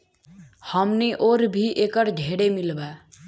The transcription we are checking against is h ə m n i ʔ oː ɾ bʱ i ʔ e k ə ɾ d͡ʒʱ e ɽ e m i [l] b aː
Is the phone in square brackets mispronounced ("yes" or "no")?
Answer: no